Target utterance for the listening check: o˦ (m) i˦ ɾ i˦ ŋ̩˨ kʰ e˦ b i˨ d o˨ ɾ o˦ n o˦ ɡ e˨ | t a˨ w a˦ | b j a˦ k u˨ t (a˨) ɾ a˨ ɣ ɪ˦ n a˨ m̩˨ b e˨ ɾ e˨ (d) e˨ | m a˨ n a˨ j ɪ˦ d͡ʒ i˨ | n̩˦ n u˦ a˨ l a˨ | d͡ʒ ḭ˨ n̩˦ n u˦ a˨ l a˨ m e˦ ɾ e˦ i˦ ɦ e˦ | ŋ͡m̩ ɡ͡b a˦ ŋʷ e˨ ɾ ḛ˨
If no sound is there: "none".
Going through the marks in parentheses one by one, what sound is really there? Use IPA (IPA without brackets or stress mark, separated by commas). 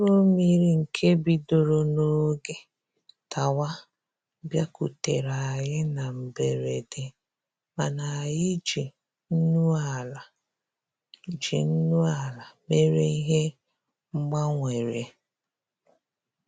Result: m, e˨, d